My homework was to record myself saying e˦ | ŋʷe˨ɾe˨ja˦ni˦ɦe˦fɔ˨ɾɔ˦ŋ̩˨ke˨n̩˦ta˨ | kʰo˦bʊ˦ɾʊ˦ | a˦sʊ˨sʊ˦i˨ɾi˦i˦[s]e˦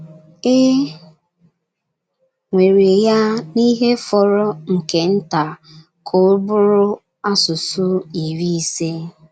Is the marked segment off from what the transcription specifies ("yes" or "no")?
no